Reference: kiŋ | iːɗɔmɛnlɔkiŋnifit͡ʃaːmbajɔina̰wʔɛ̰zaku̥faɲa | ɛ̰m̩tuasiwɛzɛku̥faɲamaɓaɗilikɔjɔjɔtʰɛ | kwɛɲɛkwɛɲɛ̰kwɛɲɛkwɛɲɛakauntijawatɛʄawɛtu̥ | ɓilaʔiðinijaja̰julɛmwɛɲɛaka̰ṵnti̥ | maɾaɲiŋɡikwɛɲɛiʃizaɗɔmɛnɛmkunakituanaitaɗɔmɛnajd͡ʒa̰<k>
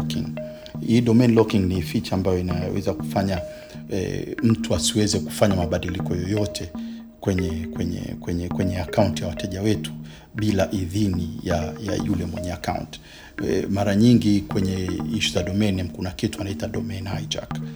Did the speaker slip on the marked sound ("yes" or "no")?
no